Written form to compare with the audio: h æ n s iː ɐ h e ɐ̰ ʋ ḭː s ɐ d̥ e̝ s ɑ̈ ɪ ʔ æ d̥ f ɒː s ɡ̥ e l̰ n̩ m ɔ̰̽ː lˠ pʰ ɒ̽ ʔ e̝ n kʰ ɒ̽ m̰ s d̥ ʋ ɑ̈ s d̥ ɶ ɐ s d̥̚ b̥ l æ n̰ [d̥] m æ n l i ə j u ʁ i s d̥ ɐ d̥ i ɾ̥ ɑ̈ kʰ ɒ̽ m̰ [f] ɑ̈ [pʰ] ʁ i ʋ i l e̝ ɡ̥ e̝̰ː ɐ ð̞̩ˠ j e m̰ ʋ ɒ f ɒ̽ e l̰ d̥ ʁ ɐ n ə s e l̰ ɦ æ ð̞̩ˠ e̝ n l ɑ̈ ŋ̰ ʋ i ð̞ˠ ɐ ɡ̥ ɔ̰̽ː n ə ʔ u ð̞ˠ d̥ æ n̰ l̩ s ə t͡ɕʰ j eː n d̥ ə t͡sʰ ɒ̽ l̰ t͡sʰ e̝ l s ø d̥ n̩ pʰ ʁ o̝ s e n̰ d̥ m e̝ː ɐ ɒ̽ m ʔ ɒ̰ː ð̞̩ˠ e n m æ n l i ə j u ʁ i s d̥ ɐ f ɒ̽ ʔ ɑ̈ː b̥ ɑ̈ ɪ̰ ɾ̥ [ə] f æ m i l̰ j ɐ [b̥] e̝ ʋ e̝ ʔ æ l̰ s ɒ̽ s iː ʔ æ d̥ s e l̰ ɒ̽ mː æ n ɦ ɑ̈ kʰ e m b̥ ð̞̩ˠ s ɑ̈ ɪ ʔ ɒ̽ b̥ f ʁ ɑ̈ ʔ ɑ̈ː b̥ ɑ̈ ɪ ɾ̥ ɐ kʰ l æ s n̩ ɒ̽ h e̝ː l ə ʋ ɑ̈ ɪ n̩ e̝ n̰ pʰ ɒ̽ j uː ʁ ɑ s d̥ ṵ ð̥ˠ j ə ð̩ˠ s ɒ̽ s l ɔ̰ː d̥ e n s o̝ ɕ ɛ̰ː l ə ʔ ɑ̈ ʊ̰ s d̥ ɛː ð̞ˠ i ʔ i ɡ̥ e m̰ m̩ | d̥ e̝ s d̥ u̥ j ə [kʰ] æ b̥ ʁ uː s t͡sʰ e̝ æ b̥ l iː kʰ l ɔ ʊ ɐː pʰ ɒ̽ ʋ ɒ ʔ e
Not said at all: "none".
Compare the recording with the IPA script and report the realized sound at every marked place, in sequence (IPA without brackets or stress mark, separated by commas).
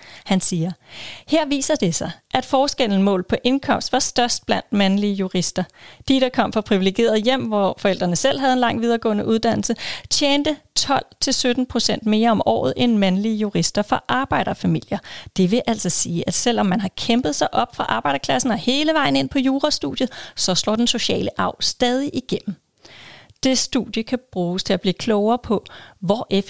d̥, f, pʰ, ɐ, d̥, kʰ